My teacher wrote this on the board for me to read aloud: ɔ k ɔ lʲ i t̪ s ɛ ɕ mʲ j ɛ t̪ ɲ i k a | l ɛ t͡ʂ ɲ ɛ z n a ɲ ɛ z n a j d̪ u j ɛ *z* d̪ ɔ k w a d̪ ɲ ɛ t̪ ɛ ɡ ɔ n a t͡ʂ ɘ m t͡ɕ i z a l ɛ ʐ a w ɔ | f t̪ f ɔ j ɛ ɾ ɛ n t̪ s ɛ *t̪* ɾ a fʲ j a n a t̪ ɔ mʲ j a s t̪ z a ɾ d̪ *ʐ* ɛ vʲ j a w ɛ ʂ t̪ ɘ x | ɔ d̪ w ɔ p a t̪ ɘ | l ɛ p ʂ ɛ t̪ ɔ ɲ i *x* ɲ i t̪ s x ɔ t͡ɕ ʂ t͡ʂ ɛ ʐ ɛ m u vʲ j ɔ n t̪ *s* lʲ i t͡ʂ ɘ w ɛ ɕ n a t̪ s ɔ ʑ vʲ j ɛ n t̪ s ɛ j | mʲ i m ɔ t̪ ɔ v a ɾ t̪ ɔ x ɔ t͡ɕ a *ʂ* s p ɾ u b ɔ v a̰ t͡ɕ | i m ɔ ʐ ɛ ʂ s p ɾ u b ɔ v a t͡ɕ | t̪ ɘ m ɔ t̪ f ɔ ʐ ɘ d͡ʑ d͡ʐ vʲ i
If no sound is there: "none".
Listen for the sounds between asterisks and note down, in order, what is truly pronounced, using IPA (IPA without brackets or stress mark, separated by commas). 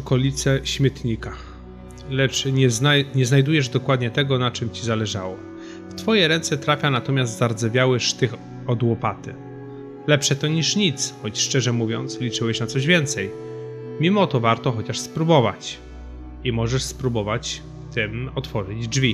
ʐ, t̪, z, ʂ, s, ʂ